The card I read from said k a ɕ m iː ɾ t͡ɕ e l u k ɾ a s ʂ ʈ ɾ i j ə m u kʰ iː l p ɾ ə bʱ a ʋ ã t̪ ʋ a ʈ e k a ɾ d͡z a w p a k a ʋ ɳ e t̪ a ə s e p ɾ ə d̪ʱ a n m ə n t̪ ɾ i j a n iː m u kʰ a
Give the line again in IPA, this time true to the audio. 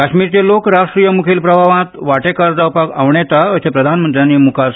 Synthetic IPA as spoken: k a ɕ m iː ɾ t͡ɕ e l o k ɾ a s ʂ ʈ ɾ i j ə m u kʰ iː l p ɾ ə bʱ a ʋ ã t̪ ʋ a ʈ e k a ɾ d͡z a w p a k a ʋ ɳ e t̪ a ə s e p ɾ ə d̪ʱ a n m ə n t̪ ɾ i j a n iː m u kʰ a